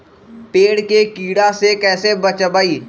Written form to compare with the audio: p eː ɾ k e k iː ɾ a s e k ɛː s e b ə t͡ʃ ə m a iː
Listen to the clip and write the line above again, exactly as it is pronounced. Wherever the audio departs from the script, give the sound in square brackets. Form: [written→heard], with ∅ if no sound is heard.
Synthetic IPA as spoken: p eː [ɾ→ɽ] k e k iː [ɾ→ɽ] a s e k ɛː s e b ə t͡ʃ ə [m→b] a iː